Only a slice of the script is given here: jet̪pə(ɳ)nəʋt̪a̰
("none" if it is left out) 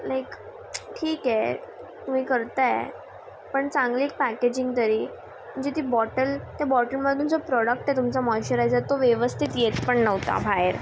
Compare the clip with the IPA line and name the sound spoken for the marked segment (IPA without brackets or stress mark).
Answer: ɳ